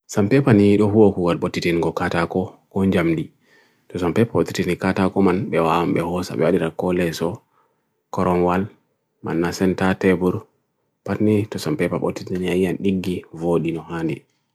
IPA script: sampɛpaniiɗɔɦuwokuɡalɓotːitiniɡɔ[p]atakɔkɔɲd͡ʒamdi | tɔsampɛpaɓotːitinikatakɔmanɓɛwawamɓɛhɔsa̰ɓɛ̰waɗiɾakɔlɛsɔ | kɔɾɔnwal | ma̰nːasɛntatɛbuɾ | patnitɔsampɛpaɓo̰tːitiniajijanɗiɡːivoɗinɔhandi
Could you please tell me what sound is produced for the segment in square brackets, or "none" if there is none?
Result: k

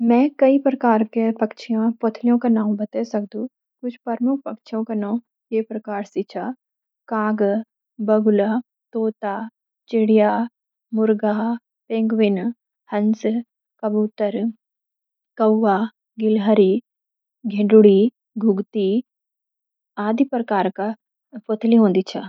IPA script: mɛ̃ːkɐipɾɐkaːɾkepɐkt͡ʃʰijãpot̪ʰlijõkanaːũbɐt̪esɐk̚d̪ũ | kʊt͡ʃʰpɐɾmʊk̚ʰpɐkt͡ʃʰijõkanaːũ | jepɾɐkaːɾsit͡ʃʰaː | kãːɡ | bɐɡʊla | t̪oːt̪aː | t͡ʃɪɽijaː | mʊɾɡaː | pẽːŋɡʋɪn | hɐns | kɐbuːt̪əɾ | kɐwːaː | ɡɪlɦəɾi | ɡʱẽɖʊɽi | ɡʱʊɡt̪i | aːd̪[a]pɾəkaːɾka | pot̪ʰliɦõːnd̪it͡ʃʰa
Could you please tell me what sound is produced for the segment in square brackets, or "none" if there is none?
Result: i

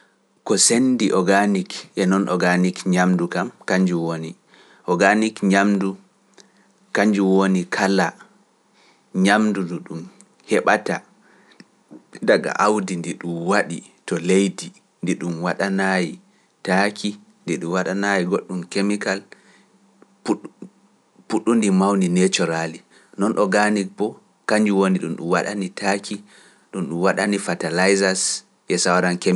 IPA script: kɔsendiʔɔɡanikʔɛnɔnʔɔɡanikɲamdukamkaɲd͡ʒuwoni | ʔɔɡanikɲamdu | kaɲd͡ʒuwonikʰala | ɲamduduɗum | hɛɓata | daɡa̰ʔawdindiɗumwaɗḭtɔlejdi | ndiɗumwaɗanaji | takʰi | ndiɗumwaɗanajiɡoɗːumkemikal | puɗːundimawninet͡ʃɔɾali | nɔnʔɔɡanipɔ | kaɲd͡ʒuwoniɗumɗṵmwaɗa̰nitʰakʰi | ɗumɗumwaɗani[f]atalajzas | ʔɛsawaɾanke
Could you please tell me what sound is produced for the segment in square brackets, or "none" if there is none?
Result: f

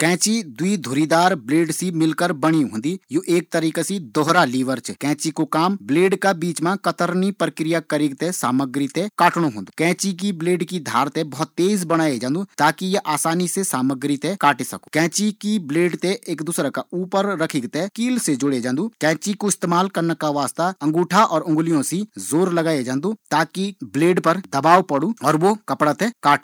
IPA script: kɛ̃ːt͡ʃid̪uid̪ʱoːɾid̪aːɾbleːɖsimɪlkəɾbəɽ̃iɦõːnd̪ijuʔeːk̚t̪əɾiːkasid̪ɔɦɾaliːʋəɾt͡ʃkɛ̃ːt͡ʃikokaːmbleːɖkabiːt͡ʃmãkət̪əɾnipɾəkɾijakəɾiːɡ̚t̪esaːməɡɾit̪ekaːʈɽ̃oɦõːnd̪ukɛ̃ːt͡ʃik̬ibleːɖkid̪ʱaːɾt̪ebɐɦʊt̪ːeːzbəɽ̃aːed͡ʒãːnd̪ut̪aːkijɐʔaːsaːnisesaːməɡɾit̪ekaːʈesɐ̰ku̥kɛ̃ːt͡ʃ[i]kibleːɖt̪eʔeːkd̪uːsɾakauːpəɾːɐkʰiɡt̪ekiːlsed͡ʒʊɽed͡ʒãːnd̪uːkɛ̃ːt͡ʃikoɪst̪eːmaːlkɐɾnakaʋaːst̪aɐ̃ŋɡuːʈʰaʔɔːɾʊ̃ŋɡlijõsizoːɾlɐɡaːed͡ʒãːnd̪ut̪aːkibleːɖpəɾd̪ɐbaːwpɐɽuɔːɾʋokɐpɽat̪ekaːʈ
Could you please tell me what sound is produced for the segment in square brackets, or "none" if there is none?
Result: i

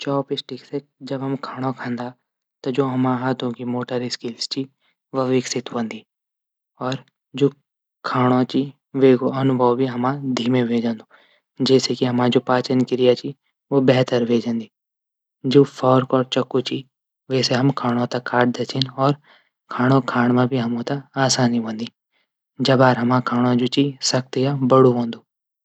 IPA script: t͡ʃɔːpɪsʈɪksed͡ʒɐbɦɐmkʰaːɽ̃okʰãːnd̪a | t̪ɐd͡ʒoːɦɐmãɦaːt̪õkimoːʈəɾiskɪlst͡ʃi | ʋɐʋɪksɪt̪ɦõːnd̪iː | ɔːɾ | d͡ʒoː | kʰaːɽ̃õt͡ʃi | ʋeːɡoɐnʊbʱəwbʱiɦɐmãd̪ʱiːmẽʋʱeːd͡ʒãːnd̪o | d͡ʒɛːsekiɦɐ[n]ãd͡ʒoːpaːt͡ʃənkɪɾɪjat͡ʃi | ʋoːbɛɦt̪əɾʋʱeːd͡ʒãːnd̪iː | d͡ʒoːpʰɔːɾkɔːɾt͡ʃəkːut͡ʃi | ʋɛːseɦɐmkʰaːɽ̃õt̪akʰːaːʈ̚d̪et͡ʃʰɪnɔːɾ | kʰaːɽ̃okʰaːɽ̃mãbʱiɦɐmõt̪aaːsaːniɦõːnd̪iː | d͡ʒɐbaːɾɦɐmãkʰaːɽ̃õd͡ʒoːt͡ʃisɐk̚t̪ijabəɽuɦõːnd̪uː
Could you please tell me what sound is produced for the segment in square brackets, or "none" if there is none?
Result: m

